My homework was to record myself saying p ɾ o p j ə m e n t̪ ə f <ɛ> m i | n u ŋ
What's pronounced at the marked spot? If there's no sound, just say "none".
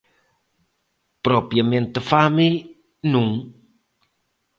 a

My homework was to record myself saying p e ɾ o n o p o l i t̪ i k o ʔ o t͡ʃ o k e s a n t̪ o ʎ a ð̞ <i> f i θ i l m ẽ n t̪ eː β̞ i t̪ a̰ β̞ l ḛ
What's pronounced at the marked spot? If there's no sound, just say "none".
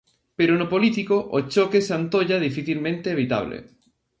i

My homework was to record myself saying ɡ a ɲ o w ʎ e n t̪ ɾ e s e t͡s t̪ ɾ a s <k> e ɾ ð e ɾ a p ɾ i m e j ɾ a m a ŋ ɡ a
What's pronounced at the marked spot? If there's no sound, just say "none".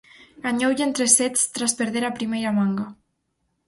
p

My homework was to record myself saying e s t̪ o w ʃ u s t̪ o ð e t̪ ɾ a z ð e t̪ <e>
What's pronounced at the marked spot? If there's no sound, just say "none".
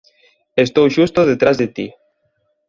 i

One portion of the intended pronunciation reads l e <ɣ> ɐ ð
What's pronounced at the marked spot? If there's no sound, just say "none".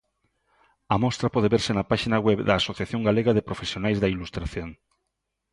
ɣ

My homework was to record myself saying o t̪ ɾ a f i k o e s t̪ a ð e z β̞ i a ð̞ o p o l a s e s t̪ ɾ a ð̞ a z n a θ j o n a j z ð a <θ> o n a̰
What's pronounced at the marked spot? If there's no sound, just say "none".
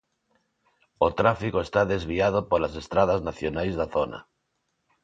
θ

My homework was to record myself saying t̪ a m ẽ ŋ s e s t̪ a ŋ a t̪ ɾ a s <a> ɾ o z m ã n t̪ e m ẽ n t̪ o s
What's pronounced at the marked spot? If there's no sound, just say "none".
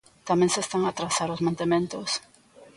a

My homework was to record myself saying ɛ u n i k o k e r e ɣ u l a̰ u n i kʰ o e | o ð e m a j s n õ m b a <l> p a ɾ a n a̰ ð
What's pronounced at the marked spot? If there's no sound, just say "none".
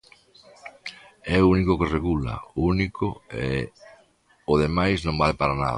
l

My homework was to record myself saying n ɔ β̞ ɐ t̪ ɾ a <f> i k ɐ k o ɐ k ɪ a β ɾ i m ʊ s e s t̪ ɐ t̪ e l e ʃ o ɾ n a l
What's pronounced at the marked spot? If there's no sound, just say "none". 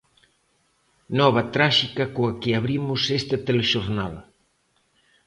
ʃ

